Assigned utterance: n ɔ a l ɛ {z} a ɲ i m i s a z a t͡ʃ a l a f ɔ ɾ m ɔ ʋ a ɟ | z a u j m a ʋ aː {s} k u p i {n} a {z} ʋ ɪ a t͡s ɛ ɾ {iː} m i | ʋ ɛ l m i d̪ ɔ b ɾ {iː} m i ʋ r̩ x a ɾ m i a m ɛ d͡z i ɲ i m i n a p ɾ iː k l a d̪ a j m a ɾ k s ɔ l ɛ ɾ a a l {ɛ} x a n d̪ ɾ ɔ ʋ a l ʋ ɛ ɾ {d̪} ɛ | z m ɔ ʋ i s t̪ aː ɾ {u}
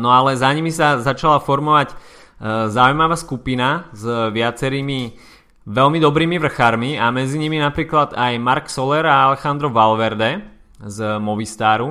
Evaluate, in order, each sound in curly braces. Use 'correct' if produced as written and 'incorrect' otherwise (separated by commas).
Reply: correct, correct, correct, correct, correct, correct, correct, correct, correct